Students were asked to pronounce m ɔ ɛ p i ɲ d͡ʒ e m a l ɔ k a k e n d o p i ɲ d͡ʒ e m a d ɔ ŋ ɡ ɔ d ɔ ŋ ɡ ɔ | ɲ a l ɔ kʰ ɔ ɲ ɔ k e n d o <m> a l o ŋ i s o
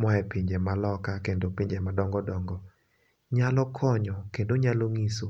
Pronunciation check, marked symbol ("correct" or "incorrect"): incorrect